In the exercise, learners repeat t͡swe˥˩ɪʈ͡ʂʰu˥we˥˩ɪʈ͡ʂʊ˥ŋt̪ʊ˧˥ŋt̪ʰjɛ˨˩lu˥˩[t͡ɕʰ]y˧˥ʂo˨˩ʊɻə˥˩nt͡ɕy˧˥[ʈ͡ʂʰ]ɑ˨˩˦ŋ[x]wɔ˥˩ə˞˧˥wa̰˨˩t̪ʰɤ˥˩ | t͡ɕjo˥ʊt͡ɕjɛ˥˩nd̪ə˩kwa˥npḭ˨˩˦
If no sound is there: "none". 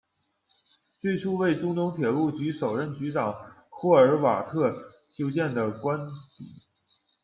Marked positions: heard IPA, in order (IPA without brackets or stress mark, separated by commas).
t͡ɕ, ʈ͡ʂ, x